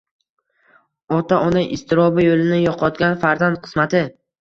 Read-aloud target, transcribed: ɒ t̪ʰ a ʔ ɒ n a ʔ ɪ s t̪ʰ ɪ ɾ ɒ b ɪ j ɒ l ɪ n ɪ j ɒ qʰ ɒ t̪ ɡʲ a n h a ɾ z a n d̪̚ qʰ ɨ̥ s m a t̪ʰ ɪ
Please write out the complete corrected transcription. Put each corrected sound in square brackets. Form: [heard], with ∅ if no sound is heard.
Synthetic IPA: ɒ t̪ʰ a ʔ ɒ n a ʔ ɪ s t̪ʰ ɪ ɾ ɒ b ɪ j [o] l ɪ n ɪ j ɒ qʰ ɒ t̪ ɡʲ a n [f] a ɾ z a n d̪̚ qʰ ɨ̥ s m a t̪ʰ ɪ